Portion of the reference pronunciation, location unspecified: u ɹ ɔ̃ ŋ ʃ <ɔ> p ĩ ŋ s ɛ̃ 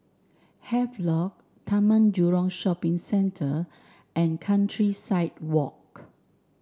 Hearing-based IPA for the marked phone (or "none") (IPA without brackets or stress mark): ɔ